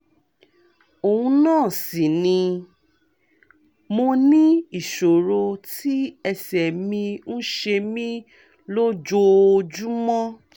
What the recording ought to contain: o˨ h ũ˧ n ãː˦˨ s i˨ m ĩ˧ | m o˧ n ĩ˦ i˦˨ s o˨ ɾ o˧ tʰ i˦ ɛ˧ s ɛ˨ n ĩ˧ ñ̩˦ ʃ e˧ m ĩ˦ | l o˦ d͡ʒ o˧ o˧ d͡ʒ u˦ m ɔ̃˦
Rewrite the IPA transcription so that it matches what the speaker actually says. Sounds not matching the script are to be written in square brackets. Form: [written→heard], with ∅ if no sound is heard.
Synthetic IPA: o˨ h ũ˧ n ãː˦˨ s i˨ [m→n] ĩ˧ | m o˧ n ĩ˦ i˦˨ [s→ʃ] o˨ ɾ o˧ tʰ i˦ ɛ˧ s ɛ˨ [n→m] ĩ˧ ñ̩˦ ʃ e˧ m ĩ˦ | l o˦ d͡ʒ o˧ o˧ d͡ʒ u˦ m ɔ̃˦